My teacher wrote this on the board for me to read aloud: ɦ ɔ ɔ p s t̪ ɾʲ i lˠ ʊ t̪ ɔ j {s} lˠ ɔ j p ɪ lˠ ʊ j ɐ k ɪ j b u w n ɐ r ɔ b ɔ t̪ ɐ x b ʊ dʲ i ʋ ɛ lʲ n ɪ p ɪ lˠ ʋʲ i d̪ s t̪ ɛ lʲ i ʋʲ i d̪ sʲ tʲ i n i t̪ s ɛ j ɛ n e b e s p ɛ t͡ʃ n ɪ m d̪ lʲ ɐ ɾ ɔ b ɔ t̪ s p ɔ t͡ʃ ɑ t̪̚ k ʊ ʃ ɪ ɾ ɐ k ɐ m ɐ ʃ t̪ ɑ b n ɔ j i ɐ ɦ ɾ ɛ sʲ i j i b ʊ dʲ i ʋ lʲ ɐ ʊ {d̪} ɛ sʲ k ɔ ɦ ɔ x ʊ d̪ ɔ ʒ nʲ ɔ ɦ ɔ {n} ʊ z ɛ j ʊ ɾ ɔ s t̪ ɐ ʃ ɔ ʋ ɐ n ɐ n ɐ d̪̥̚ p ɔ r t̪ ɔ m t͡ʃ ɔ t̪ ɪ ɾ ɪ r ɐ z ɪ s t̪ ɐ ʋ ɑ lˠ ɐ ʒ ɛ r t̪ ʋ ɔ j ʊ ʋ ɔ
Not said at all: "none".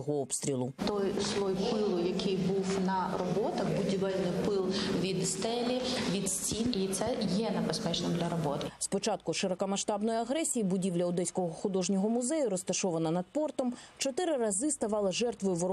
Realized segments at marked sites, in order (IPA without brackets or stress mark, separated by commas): s, d̪, m